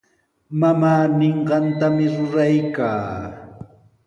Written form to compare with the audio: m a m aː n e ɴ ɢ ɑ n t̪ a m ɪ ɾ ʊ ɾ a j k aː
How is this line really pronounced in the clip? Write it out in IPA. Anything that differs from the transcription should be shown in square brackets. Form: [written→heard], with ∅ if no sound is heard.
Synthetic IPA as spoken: m a m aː n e ɴ ɢ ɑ n t̪ a m ɪ ɾ ʊ ɾ a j k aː